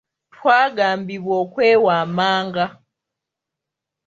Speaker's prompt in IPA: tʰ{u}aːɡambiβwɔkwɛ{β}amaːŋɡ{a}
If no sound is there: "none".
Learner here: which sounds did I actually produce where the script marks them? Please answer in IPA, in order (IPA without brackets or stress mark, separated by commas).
w, w, a